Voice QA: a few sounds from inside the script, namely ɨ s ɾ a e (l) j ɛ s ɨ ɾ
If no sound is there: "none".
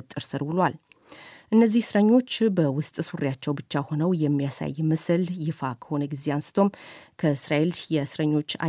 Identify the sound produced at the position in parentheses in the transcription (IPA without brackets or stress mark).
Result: l